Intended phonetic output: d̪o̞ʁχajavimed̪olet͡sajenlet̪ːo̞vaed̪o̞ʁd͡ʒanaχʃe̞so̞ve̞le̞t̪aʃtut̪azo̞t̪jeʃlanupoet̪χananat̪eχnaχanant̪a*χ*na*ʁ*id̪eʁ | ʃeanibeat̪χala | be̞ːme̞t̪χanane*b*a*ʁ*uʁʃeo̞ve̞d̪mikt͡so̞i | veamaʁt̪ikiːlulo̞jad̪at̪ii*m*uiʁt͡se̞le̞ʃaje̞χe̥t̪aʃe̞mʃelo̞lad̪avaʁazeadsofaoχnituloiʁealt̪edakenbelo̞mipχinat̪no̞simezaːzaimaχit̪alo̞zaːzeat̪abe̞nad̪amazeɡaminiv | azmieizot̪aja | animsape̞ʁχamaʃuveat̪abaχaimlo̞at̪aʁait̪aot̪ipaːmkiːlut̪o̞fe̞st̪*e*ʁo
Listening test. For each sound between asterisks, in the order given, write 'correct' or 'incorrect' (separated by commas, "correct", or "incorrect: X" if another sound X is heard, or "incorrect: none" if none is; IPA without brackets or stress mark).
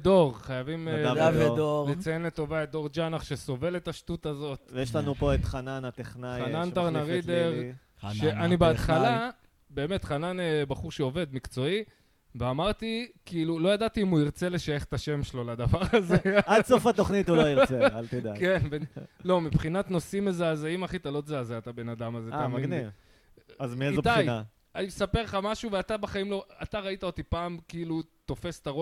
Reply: incorrect: ʁ, correct, correct, incorrect: χ, correct, incorrect: a